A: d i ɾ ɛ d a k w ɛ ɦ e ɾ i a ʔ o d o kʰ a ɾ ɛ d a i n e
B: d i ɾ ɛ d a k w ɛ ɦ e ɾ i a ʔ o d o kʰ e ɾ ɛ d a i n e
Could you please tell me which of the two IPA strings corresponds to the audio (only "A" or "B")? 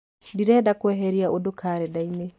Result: A